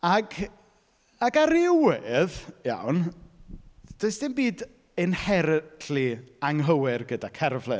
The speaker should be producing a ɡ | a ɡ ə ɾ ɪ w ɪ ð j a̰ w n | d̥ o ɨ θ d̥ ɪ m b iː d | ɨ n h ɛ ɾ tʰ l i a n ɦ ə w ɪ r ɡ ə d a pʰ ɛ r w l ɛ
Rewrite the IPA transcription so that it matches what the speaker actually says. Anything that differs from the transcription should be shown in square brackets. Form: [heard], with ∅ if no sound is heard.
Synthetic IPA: a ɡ | a ɡ [a] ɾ ɪ w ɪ ð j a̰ w n | d̥ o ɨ [s] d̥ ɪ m b iː d | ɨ n h ɛ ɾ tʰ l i a [ŋ] ɦ ə w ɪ r ɡ ə d a [kʰ] ɛ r [v] l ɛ